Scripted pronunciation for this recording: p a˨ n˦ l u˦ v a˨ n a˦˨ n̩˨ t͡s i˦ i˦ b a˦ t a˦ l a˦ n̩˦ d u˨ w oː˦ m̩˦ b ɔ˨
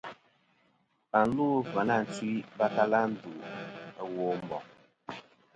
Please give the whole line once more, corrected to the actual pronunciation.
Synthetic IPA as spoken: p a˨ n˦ l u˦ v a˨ n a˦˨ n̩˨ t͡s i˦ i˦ b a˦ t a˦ l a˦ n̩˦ d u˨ w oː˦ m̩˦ b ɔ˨

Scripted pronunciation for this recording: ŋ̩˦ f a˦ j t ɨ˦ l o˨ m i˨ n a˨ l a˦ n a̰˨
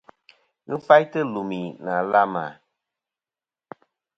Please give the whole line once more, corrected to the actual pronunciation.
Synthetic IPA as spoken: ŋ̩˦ f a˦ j t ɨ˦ l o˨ m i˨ n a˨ l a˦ m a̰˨

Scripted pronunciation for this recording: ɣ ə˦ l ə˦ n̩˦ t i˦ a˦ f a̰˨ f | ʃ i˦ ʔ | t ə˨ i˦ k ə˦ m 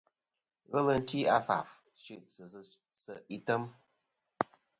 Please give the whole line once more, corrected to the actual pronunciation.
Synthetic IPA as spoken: ɣ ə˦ l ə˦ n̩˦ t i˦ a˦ f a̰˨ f | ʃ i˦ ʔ | s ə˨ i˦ t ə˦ m

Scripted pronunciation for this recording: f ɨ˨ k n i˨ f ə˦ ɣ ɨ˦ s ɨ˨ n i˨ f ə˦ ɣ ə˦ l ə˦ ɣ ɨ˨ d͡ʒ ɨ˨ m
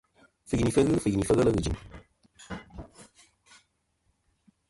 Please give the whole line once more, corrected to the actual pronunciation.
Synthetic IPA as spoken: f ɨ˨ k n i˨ f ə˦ ɣ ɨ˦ f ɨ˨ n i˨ f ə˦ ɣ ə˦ l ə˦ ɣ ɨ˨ d͡ʒ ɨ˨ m

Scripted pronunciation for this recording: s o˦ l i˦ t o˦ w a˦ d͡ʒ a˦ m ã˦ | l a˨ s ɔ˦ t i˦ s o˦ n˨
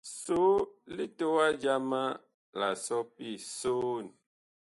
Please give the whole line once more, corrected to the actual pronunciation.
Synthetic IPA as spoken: s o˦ l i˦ t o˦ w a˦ d͡ʒ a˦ m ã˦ | l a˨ s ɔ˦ p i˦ s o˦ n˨

